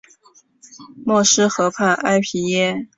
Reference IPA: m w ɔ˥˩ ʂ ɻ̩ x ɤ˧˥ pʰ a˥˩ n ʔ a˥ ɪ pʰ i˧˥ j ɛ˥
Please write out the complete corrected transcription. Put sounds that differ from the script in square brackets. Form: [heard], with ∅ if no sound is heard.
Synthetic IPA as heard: m w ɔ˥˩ ʂ ɻ̩ x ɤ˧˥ pʰ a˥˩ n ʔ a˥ ɪ pʰ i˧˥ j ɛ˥